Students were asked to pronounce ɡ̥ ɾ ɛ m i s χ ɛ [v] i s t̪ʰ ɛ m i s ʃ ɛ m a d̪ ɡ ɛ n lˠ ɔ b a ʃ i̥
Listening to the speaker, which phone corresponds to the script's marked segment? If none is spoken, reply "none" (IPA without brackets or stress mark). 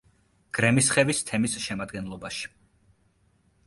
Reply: v